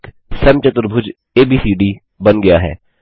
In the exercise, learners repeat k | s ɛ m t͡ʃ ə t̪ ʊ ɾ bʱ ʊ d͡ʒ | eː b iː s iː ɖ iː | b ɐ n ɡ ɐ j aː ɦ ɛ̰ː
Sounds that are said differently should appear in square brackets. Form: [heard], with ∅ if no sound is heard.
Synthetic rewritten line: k | s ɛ m t͡ʃ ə t̪ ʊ ɾ bʱ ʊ d͡ʒ | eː b iː s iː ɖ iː | b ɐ n ɡ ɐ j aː ɦ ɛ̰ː

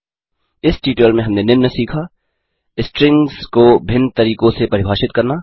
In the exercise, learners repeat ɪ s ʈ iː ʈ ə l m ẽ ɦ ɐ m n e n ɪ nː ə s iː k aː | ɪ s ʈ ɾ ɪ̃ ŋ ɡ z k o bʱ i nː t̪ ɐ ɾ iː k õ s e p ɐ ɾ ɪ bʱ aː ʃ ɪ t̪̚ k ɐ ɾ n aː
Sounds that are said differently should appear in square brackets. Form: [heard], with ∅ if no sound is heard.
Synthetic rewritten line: ɪ s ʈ iː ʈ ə l m ẽ ɦ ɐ m n e n ɪ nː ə s iː [kʰ] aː | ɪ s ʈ ɾ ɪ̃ ŋ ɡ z k o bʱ [ɪ] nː t̪ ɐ ɾ iː k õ s e p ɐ ɾ ɪ bʱ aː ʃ ɪ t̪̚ k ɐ ɾ n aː

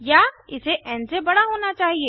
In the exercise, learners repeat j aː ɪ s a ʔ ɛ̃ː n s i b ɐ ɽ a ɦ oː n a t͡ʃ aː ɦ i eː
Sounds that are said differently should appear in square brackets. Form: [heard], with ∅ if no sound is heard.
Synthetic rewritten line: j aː ɪ s [e] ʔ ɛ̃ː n s [e] b ɐ ɽ a ɦ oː n a t͡ʃ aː ɦ i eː

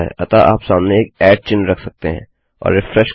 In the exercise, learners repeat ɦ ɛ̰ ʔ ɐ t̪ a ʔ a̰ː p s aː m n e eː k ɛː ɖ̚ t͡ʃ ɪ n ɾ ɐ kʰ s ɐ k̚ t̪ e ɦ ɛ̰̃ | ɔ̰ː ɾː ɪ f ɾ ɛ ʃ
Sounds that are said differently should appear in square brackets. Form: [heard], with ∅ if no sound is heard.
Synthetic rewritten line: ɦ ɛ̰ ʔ ɐ t̪ a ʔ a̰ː p s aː m n e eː k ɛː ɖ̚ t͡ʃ ɪ n ɾ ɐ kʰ s ɐ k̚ t̪ e ɦ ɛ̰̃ | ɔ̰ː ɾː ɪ f ɾ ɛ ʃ

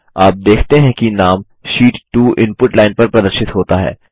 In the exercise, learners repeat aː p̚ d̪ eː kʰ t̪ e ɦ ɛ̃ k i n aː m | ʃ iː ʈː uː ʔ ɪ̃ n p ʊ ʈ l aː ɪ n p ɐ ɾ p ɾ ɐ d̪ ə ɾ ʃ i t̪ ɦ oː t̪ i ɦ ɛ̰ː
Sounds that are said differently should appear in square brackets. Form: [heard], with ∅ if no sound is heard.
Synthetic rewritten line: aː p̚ d̪ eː kʰ t̪ e ɦ ɛ̃ k i n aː m | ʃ iː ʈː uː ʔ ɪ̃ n p ʊ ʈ l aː ɪ n p ɐ ɾ p ɾ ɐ d̪ ə ɾ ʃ [ɪ] t̪ ɦ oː t̪ [a] ɦ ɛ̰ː

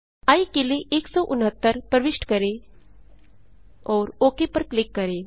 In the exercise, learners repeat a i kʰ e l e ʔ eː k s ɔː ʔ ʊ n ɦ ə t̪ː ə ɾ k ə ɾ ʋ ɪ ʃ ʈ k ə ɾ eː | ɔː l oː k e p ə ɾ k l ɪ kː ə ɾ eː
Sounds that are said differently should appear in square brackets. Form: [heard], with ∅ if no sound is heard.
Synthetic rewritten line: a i [k] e l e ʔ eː k s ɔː ʔ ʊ n ɦ ə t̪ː ə ɾ [p] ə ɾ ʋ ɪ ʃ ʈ k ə ɾ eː | ɔː [ɾ] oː k e p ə ɾ k l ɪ kː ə ɾ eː

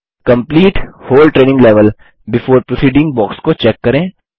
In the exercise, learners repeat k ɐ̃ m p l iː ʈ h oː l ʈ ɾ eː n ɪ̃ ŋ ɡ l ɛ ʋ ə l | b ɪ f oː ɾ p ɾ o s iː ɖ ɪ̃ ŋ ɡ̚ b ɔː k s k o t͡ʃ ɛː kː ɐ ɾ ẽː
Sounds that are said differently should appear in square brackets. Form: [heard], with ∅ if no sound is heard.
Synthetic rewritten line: k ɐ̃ m p l iː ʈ h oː l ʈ ɾ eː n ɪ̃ ŋ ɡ l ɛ ʋ ə l | b ɪ f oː ɾ p ɾ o s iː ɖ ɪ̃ ŋ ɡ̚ b ɔː k s k o t͡ʃ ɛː kː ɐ ɾ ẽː

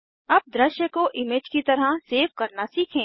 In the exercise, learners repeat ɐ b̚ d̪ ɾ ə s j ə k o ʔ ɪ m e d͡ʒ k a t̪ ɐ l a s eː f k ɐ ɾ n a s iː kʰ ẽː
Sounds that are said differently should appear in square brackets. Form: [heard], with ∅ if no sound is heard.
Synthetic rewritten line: ɐ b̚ d̪ ɾ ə [ʃ] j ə k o ʔ ɪ m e d͡ʒ k [i] t̪ ɐ [ɾ] a s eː f k ɐ ɾ n a s iː kʰ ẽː

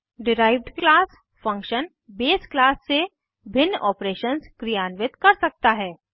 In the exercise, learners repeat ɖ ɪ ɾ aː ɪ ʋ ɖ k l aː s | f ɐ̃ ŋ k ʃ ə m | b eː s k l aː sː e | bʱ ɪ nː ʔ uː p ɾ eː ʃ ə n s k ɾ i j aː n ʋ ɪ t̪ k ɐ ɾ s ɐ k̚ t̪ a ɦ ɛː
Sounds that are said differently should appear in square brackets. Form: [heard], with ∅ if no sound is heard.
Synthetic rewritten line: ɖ ɪ ɾ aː ɪ ʋ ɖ k l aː s | f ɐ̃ ŋ k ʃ ə [n] | b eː s k l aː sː e | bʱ ɪ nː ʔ [ɔː] p ɾ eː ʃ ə n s k ɾ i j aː n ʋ ɪ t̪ k ɐ ɾ s ɐ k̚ t̪ a ɦ ɛː

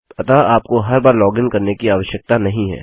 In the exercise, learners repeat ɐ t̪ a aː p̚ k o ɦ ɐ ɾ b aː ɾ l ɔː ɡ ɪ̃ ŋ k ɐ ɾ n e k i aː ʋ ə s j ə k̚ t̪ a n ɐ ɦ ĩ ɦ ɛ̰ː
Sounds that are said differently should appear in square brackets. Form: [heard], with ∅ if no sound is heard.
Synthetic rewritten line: ɐ t̪ a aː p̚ k o ɦ ɐ ɾ b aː ɾ l ɔː ɡ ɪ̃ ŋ k ɐ ɾ n e k i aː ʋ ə [ʃ] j ə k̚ t̪ a n ɐ ɦ ĩ ɦ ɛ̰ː

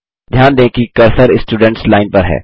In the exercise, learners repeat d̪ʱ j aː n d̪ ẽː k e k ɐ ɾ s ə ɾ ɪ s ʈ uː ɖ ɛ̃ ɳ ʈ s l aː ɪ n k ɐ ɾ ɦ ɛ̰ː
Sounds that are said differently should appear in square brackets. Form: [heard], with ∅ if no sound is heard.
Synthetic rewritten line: d̪ʱ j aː n d̪ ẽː k [i] k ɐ ɾ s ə ɾ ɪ s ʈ uː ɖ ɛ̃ ɳ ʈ s l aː ɪ n [p] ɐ ɾ ɦ ɛ̰ː

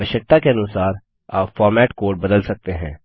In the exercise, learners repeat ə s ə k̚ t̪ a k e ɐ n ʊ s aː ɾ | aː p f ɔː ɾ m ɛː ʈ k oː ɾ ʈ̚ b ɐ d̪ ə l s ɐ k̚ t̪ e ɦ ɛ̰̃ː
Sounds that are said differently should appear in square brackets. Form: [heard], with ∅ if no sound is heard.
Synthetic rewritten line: ə [ʃ] ə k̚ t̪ a k e ɐ n ʊ s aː ɾ | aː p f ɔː ɾ m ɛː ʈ k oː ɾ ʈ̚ b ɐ d̪ ə l s ɐ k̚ t̪ e ɦ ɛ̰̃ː

